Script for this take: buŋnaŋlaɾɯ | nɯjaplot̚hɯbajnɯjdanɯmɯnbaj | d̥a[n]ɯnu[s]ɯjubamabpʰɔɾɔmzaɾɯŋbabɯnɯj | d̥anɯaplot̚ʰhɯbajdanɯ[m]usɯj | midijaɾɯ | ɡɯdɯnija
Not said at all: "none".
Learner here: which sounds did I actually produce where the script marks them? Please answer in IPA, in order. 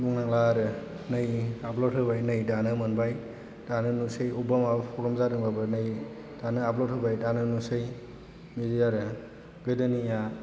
n, s, n

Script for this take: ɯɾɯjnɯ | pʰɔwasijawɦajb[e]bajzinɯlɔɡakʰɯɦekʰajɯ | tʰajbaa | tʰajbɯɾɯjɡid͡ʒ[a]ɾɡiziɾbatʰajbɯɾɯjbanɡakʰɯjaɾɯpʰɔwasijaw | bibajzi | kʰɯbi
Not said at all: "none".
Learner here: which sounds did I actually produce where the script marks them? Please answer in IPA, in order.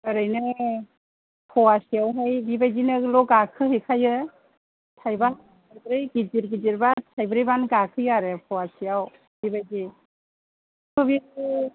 i, i

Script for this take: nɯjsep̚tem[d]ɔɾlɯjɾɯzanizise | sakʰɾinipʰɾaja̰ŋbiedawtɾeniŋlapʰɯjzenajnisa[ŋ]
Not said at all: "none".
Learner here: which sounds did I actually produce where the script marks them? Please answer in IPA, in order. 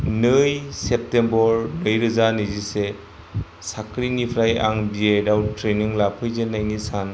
b, n

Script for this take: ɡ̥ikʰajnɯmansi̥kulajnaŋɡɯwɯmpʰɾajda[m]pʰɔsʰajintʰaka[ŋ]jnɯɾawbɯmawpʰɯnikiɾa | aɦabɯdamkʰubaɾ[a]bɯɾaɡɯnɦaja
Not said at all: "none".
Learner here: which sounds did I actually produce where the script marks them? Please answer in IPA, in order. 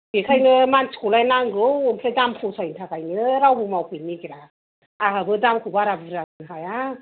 m, none, a

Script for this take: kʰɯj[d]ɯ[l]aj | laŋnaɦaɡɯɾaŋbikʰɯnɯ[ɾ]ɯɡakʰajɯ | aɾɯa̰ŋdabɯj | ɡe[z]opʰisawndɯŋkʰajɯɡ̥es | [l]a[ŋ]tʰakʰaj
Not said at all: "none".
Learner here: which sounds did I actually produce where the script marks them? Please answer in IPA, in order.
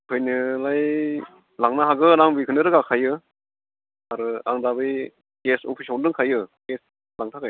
n, l, ɾ, s, l, ŋ

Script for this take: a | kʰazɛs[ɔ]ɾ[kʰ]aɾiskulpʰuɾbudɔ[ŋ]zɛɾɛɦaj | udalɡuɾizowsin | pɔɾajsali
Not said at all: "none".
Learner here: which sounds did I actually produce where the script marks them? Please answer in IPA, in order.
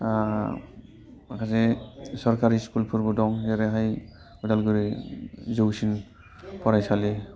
ɔ, k, ŋ

